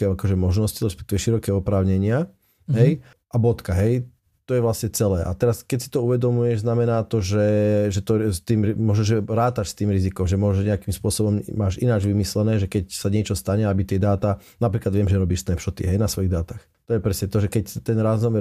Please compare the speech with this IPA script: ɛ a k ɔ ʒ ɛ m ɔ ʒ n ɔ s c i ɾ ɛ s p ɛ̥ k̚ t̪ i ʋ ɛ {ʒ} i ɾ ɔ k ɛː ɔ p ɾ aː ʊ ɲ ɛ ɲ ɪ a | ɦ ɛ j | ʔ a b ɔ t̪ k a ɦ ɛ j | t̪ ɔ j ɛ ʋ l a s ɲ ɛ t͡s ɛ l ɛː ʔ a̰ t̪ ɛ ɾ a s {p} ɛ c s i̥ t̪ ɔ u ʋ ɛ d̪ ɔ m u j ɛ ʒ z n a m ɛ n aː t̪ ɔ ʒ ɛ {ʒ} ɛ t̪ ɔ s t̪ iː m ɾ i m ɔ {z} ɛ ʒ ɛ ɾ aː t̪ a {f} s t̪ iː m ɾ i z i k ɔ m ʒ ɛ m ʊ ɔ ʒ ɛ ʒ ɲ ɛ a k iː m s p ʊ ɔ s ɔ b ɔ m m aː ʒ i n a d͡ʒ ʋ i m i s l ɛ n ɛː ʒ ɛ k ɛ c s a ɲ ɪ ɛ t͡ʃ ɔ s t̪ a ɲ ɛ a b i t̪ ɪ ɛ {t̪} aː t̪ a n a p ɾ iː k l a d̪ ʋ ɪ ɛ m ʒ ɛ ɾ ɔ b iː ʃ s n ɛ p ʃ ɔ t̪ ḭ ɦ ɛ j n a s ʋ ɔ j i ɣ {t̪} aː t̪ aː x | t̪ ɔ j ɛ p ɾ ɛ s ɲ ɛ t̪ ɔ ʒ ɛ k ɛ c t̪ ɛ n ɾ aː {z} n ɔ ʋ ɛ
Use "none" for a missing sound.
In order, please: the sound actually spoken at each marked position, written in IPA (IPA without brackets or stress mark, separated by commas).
ʃ, k, ʒ, ʒ, ʃ, d̪, d̪, z